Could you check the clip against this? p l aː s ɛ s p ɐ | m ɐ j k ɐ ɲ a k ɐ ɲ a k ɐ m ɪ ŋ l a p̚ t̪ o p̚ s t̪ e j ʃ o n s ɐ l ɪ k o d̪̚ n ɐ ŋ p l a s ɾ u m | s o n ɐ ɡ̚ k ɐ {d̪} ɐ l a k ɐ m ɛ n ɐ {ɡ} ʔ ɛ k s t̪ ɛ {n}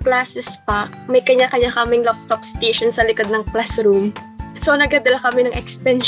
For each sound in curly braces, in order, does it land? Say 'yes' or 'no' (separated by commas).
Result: yes, no, yes